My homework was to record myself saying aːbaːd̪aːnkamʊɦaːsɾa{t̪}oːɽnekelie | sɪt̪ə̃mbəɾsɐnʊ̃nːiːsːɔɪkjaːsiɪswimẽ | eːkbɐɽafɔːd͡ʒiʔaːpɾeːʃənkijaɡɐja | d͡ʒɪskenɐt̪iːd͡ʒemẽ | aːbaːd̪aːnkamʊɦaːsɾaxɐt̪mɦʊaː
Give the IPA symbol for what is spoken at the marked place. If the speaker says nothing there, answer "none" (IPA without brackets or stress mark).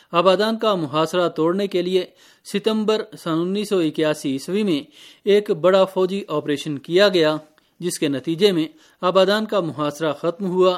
t̪